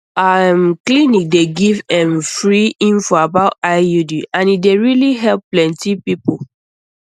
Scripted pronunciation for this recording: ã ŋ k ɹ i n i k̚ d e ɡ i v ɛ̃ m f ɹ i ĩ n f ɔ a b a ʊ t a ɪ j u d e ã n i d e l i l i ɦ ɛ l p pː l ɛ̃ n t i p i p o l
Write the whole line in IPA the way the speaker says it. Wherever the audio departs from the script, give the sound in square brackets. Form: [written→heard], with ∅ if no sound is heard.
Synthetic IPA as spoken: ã [ŋ→m] k [ɹ→l] i n i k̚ d e ɡ i v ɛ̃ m f ɹ i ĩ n f ɔ a b a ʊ t a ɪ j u d [e→i] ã n i d e [l→ɹ] i l i ɦ ɛ l p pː l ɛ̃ n t i p i p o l